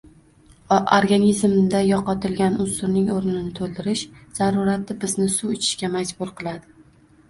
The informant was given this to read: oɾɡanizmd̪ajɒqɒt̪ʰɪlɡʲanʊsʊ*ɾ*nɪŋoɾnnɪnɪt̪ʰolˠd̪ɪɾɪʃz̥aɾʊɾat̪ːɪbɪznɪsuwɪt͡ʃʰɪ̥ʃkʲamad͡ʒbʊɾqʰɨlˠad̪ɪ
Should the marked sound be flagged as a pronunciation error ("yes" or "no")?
no